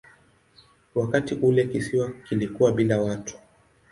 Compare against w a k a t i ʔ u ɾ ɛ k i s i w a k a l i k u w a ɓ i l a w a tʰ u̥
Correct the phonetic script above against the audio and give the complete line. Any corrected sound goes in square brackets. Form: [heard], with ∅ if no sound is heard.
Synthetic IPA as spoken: w a k a t i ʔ u [l] ɛ k i s i w a k [i] l i k u w a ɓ i l a w a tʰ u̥